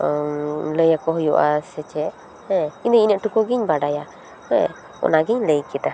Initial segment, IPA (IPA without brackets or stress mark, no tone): l